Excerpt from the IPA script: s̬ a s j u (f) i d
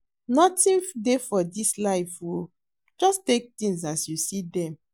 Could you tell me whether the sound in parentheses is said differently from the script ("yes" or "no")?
yes